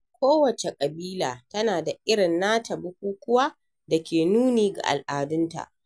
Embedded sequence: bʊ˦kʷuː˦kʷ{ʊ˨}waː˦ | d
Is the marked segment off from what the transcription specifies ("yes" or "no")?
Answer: yes